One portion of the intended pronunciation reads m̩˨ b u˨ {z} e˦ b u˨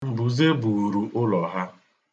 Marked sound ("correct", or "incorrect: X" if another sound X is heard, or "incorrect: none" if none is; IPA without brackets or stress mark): correct